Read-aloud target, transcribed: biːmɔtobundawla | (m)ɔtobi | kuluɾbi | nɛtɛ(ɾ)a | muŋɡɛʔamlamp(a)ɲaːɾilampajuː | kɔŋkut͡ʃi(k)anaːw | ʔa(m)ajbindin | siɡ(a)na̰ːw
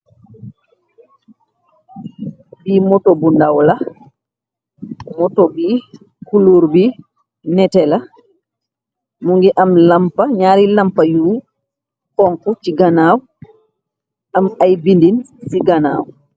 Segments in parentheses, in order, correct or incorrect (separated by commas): correct, incorrect, correct, incorrect, correct, correct